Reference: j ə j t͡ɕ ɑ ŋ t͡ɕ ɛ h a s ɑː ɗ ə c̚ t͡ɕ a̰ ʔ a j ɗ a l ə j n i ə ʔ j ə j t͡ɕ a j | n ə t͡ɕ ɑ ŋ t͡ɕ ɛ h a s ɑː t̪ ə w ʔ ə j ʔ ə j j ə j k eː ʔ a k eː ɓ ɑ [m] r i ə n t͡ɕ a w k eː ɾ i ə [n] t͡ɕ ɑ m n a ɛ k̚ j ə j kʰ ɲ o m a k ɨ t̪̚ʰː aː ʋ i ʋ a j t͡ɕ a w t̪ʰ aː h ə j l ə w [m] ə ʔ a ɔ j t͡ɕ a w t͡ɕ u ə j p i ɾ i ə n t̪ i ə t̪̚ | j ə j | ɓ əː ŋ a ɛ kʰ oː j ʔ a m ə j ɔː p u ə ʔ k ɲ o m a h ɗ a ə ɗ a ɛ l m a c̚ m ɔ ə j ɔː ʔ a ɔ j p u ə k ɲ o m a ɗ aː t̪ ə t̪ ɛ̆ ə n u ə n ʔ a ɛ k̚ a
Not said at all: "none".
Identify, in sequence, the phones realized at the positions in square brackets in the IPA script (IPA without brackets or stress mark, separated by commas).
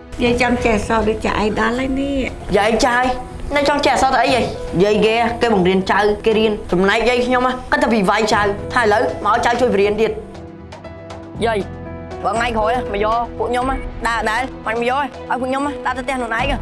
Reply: ŋ, n, m